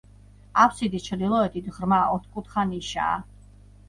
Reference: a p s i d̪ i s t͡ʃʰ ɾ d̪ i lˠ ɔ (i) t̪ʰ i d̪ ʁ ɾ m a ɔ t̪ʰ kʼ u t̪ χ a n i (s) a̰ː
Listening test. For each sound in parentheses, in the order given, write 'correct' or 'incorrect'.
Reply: incorrect, incorrect

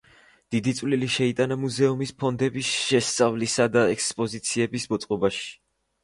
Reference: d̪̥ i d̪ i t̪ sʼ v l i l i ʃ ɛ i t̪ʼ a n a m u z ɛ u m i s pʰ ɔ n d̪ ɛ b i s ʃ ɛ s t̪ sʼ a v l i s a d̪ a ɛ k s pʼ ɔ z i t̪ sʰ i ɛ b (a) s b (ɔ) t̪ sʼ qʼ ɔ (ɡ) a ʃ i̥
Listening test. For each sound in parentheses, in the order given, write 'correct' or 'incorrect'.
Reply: incorrect, correct, incorrect

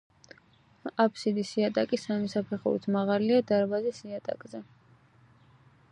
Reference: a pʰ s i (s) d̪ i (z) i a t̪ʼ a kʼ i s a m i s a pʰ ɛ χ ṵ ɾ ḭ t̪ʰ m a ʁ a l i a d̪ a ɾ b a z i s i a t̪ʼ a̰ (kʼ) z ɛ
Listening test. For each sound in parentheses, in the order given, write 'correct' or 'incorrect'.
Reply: incorrect, incorrect, correct

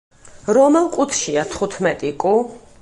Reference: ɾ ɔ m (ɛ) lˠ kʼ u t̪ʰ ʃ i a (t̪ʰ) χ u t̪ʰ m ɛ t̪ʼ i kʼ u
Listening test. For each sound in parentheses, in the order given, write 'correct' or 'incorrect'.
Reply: correct, correct

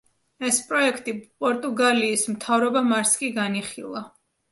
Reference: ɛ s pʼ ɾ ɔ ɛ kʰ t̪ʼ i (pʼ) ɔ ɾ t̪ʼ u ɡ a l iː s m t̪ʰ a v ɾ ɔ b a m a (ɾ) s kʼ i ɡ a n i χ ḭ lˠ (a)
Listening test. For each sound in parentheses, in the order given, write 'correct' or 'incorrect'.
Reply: correct, correct, correct

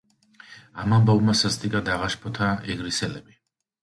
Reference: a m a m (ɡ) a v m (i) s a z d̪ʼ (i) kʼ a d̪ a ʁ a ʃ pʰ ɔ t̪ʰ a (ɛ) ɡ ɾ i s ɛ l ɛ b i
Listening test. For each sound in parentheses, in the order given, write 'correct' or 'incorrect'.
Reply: incorrect, incorrect, correct, correct

